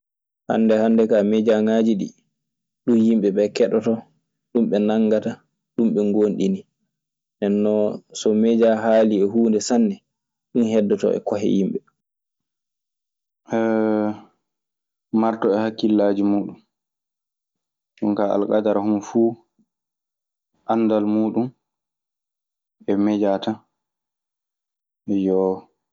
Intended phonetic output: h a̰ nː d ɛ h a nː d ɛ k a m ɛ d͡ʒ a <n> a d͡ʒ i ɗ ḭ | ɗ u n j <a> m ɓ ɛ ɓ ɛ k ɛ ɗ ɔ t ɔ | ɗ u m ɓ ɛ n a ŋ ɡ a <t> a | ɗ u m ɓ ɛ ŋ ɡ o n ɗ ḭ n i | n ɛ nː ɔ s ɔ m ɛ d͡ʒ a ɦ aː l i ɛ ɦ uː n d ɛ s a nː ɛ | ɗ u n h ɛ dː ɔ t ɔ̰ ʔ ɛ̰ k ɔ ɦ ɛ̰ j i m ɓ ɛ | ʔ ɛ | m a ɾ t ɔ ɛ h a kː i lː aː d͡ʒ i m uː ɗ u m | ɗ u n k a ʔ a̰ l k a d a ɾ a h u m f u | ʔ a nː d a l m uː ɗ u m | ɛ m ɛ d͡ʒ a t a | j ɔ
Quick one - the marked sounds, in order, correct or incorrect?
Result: incorrect: ŋ, incorrect: i, correct

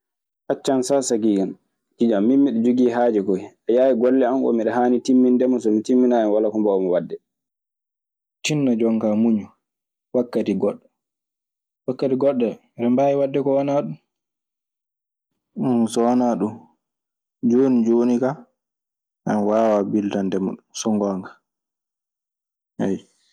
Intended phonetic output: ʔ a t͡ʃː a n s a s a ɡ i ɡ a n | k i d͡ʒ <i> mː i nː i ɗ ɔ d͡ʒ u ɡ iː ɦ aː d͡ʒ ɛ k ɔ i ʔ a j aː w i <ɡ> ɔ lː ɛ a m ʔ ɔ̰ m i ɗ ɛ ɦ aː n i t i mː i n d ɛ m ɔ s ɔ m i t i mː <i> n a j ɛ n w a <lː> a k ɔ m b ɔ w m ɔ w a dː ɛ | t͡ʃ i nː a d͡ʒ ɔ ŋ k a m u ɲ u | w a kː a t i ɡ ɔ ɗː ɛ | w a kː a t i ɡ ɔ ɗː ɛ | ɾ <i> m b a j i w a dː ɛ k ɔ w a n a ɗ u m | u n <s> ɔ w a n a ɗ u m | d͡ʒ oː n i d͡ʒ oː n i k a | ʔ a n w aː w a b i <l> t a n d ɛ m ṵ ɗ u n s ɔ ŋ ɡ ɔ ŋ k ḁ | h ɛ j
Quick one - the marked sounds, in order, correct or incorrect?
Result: incorrect: a, correct, correct, incorrect: l, incorrect: ɛ, correct, correct

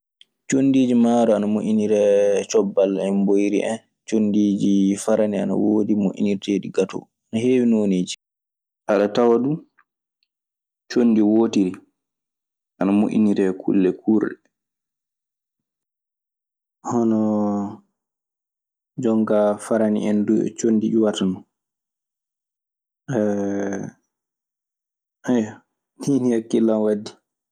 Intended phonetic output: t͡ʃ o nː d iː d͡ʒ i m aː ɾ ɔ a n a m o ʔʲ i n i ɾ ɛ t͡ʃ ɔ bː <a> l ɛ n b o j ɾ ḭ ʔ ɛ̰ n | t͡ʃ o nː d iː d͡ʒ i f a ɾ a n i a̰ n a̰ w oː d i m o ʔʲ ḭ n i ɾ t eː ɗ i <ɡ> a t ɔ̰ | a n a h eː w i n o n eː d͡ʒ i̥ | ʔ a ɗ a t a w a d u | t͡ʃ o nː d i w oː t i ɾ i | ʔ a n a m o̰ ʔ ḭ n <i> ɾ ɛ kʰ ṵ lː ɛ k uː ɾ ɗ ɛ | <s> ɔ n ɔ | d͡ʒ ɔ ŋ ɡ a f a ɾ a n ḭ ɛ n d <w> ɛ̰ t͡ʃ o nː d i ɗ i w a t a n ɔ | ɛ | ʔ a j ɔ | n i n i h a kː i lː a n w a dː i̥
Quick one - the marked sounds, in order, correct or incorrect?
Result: correct, correct, correct, incorrect: h, incorrect: u

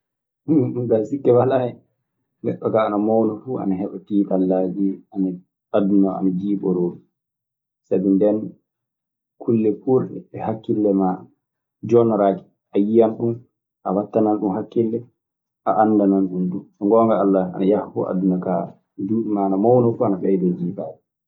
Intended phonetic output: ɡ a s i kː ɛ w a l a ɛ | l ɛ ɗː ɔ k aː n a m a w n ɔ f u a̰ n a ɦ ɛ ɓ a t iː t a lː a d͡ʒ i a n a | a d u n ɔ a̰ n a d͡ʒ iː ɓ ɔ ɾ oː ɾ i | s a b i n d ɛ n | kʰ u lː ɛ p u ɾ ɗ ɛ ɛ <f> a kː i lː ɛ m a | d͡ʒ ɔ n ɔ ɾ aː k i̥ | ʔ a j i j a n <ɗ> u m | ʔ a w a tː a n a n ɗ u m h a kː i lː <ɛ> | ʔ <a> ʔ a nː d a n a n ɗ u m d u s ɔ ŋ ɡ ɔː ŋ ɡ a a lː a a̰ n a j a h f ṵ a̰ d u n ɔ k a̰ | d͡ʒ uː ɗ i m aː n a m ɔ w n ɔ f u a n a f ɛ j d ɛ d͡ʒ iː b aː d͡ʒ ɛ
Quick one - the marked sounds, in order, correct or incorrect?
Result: incorrect: h, correct, correct, correct

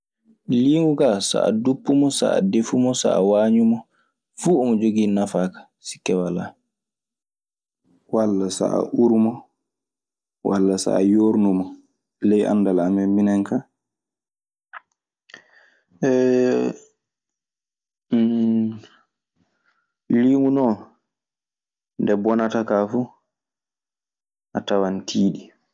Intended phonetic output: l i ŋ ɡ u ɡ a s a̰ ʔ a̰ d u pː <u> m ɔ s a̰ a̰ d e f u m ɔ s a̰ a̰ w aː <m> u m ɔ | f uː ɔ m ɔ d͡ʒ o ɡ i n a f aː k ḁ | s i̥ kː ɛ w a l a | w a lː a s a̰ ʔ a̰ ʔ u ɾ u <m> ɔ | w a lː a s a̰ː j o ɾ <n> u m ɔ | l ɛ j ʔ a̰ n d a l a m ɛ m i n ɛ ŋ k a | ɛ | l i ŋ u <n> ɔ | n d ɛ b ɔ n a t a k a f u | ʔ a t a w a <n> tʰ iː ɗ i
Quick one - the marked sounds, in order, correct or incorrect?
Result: correct, incorrect: ɲ, correct, correct, correct, correct

